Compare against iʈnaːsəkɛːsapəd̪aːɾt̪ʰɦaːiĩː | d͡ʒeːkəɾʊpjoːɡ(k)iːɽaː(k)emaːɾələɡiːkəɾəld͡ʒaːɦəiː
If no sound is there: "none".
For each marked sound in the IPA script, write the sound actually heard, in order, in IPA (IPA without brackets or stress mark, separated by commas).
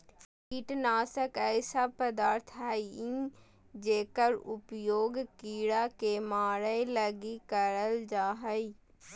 k, k